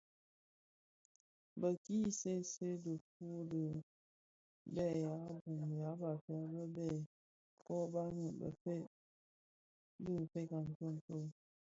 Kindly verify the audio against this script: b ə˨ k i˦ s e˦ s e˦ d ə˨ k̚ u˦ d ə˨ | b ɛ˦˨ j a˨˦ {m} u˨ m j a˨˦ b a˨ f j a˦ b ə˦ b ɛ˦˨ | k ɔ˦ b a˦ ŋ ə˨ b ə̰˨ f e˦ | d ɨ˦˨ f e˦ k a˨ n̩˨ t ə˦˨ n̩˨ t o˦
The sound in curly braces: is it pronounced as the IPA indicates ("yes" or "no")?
no